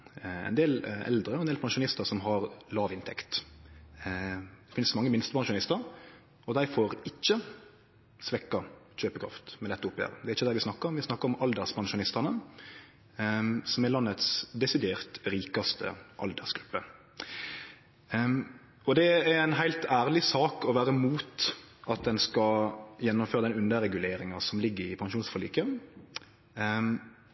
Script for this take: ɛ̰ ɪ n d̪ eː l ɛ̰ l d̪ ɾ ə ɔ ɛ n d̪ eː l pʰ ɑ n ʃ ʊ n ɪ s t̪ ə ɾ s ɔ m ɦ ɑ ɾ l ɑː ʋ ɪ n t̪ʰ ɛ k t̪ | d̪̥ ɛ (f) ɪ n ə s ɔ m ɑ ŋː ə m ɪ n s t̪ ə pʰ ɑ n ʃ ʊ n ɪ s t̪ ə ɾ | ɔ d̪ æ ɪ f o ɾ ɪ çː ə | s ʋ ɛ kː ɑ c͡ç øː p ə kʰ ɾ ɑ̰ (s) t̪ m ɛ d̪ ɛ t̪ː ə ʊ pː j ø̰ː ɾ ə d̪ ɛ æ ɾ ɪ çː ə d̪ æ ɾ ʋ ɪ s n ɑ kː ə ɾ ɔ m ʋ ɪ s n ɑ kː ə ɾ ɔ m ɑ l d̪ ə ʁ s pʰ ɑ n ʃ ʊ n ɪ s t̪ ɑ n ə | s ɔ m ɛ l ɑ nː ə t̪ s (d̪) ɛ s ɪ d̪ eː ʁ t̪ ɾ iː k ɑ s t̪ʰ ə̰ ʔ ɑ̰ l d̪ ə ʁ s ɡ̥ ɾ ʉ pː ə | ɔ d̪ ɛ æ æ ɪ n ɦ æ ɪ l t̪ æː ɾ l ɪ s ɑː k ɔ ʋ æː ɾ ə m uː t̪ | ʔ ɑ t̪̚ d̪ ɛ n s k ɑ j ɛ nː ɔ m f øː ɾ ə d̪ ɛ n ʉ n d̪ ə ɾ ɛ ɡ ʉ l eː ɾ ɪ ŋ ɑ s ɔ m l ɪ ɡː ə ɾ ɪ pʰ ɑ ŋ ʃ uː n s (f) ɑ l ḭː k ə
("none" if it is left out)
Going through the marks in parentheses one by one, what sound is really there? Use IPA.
f, f, d̪, f

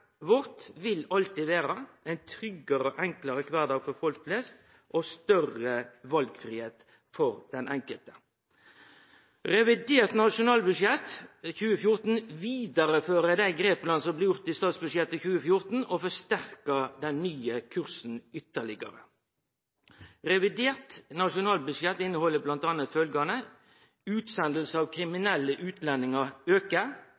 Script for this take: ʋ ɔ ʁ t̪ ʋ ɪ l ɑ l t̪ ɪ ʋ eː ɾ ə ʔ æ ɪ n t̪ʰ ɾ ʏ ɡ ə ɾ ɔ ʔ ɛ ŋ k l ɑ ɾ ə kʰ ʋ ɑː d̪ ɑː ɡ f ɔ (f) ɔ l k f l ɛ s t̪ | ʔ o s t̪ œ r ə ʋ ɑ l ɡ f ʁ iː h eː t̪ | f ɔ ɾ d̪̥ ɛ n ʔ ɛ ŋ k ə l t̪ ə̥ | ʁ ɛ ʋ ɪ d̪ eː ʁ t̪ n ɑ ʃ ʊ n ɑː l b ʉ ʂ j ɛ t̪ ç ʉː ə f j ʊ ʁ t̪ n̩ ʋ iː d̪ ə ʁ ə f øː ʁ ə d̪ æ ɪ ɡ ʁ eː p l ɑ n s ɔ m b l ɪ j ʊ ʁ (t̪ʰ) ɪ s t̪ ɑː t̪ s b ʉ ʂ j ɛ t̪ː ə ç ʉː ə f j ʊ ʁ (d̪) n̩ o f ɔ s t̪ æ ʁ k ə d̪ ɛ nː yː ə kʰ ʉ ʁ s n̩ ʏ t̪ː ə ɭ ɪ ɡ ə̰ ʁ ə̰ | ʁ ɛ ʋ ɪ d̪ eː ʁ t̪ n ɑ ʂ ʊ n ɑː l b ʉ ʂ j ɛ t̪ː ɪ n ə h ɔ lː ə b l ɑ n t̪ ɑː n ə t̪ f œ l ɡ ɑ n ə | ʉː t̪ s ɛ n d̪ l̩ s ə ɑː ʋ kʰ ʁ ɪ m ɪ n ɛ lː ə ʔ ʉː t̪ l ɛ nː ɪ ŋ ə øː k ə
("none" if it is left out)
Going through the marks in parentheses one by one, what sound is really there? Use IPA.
f, t̪, t̪

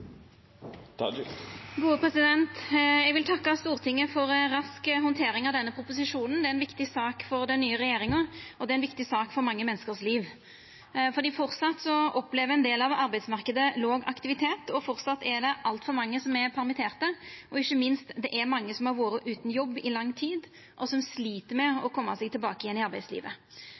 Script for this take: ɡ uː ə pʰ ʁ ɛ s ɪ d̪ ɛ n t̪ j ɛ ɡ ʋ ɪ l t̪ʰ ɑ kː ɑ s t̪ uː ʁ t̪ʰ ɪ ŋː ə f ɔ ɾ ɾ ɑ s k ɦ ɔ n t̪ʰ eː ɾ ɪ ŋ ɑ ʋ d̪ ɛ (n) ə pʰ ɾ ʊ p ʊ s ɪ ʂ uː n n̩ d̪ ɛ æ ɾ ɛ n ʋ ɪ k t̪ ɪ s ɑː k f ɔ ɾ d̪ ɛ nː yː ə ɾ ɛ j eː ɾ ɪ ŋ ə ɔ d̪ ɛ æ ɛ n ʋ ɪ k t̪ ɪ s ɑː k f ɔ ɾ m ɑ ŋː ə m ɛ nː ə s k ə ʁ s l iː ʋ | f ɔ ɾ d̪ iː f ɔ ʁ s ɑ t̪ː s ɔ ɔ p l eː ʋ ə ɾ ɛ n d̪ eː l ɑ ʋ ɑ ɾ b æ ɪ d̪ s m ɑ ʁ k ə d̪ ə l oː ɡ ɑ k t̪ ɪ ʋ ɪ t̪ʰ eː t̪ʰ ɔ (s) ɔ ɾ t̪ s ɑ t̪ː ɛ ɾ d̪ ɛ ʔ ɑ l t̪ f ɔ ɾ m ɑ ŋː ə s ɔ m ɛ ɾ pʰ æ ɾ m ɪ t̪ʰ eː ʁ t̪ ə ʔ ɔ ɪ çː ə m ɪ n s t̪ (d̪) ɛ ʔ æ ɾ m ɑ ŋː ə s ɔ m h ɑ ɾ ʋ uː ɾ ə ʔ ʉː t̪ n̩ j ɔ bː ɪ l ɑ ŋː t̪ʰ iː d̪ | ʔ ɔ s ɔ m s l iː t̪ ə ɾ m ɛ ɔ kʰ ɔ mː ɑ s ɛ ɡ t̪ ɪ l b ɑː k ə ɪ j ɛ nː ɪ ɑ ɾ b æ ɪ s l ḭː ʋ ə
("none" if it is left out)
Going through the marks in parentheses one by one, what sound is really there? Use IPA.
nː, f, d̪

